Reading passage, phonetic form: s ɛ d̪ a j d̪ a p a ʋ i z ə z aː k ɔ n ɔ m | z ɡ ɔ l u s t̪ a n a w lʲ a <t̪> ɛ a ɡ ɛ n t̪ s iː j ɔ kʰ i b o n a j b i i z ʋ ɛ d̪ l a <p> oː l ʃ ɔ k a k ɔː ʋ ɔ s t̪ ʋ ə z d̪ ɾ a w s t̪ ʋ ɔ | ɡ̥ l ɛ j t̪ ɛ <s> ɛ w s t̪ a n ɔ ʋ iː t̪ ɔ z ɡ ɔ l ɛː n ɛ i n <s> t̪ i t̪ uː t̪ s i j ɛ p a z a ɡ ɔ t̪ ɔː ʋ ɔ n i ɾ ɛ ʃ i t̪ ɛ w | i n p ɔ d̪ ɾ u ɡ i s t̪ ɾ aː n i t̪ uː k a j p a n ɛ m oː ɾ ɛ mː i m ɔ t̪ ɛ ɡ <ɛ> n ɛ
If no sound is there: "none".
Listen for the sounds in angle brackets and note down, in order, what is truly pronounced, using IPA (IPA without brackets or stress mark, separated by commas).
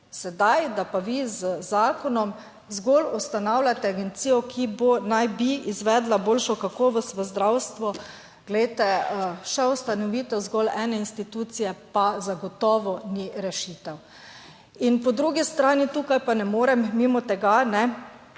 t̪, b, ʃ, s, a